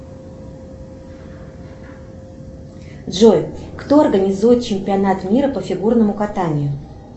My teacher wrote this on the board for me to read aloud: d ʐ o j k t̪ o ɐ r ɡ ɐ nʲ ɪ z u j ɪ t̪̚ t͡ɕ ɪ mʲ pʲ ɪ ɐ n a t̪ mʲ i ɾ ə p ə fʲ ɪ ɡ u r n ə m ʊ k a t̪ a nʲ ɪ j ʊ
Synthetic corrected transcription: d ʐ o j k t̪ o ɐ r ɡ ə nʲ ɪ z u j ɪ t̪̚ t͡ɕ ɪ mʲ pʲ ɪ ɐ n a t̪ mʲ i ɾ ə p ə fʲ ɪ ɡ u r n ə m ʊ k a t̪ a nʲ ɪ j ʊ